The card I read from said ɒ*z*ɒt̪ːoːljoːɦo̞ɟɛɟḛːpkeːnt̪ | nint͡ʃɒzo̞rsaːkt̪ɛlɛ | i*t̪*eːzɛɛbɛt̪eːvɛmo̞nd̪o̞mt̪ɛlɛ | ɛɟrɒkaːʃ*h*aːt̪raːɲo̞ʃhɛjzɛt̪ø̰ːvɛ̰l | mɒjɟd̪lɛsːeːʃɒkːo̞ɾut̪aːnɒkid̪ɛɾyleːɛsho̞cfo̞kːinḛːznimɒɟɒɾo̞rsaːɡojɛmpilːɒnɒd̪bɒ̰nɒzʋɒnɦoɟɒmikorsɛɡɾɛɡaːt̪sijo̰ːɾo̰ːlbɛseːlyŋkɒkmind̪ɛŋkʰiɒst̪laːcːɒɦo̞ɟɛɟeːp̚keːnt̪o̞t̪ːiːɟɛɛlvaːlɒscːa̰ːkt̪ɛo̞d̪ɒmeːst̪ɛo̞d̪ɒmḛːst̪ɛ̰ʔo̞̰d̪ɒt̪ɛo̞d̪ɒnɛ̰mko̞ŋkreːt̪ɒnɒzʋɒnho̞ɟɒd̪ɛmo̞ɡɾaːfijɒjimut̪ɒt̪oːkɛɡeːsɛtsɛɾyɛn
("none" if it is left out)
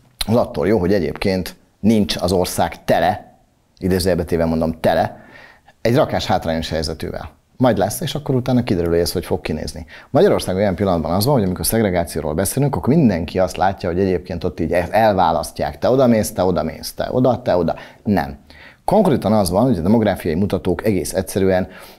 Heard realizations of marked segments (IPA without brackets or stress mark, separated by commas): z, d̪, h